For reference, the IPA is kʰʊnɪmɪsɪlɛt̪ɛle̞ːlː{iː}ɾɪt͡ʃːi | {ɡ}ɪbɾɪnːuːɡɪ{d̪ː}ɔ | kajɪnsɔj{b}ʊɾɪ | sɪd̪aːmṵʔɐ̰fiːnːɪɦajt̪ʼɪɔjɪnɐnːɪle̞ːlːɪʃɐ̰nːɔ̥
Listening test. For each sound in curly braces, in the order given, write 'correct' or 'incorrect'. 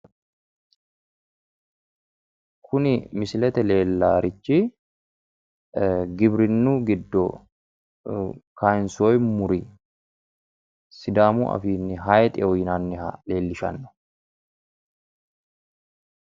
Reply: incorrect, correct, correct, incorrect

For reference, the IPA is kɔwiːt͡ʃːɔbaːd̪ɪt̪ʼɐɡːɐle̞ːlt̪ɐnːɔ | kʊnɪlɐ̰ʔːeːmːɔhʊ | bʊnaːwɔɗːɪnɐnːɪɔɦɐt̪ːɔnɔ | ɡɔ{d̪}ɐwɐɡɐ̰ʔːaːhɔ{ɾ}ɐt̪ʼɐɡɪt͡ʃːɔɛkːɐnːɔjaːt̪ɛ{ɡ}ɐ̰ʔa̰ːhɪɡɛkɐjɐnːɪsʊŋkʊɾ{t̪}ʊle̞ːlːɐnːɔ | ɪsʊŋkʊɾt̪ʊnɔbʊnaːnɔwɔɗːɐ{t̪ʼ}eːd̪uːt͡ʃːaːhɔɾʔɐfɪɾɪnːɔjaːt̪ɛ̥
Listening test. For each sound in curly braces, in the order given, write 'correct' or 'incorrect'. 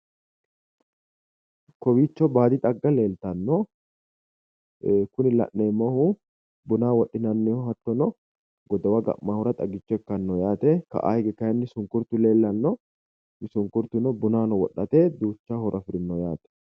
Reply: correct, correct, incorrect, correct, incorrect

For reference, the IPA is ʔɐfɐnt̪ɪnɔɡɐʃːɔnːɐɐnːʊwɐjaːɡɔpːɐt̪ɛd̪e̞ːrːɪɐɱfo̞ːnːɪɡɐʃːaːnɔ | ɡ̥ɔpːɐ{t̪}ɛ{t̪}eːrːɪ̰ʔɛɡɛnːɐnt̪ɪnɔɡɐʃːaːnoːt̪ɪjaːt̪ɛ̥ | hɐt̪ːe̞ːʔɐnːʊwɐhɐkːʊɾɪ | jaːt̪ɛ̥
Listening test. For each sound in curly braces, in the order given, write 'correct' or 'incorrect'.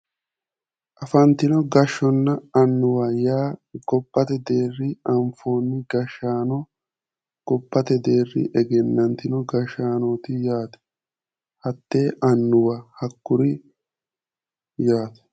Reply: correct, incorrect

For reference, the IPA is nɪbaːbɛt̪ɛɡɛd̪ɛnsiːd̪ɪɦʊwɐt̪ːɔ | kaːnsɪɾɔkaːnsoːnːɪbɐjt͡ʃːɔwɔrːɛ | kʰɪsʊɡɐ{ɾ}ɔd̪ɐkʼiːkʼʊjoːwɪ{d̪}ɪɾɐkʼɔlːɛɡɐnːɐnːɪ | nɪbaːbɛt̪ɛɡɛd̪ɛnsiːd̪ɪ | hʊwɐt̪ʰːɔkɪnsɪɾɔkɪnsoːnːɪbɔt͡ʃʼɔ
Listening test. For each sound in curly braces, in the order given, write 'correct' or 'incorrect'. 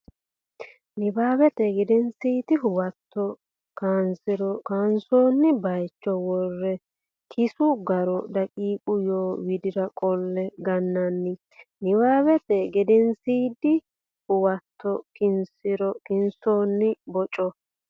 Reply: correct, correct

